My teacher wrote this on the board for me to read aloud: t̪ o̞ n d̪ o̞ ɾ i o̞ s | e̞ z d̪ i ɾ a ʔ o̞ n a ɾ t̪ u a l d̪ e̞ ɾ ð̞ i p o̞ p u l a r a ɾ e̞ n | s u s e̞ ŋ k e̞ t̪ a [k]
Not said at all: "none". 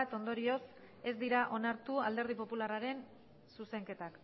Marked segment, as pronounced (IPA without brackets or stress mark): k